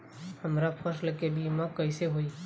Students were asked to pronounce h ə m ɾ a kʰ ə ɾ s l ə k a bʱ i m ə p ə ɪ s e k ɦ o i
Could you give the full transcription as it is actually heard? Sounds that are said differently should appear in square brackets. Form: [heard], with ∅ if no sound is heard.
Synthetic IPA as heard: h ə m ɾ a [pʰ] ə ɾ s l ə k [e] bʱ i m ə [k] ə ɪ s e [∅] ɦ o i